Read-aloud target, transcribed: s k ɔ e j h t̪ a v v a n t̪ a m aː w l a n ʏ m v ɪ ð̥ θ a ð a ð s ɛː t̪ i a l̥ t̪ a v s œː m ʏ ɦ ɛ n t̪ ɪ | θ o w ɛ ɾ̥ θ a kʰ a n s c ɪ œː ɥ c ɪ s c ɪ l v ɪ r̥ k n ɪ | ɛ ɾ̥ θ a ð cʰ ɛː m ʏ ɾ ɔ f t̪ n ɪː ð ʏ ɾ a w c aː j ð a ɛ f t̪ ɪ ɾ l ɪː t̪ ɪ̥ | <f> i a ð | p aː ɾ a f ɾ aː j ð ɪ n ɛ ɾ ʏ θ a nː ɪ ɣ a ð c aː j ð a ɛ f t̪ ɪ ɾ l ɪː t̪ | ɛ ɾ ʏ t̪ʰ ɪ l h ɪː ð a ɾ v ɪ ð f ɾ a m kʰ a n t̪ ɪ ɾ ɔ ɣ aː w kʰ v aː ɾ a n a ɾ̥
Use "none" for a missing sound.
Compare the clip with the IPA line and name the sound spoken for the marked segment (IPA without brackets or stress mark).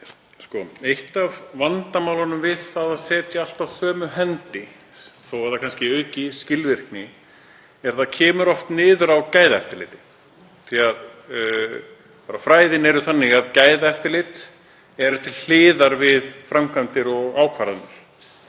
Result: θ